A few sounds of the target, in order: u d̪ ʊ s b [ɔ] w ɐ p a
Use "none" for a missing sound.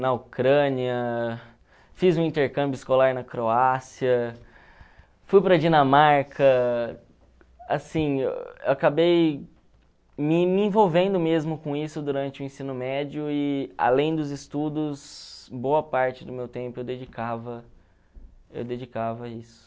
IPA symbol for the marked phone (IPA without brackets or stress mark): o